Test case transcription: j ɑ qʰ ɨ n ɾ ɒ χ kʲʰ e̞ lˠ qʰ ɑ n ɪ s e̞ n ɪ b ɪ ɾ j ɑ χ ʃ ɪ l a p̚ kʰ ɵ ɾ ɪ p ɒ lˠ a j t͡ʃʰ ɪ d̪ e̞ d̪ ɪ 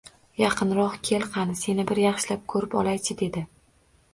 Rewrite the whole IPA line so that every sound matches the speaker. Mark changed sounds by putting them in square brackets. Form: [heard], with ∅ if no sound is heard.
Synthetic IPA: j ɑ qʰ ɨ n ɾ ɒ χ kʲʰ e̞ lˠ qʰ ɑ n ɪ s e̞ n ɪ b ɪ ɾ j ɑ χ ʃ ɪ l a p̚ kʰ ɵ ɾ ɪ p ɒ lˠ a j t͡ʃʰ ɪ d̪ e̞ d̪ ɪ